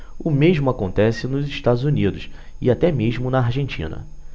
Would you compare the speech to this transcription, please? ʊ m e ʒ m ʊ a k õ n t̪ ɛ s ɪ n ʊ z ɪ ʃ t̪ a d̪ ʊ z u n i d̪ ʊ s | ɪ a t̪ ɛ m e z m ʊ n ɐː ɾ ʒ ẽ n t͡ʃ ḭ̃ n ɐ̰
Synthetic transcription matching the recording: ʊ m e ʒ m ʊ a k õ n t̪ ɛ s ɪ n ʊ z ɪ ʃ t̪ a d̪ ʊ z u n i d̪ ʊ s | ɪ a t̪ ɛ m e ʒ m ʊ n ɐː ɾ ʒ ẽ n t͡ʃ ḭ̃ n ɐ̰